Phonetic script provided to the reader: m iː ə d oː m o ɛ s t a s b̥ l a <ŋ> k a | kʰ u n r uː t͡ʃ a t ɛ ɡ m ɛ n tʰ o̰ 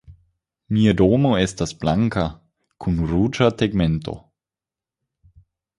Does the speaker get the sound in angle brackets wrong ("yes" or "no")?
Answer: no